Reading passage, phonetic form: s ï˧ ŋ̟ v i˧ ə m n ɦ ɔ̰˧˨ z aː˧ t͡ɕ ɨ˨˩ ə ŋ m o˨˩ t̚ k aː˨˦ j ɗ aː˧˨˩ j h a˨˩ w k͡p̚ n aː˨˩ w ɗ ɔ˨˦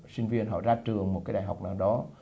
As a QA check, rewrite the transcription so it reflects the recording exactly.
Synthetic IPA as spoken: s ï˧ ŋ̟ v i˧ ə n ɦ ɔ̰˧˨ z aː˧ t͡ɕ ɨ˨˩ ə ŋ m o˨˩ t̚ k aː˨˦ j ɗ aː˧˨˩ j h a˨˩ w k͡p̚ n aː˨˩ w ɗ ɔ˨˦